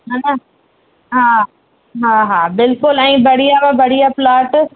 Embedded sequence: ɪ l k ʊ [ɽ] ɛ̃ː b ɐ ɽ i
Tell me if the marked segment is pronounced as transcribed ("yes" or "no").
no